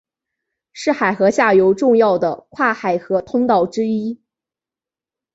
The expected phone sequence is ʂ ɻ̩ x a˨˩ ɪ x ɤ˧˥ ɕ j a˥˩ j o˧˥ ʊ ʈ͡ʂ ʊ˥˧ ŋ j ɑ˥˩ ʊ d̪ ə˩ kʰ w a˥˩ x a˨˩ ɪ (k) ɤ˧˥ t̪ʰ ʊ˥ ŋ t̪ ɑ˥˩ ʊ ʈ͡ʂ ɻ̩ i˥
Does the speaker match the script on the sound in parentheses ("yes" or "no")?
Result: no